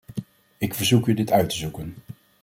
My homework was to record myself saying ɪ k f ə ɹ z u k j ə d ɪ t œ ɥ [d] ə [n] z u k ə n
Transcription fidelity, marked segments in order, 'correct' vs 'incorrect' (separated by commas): incorrect, incorrect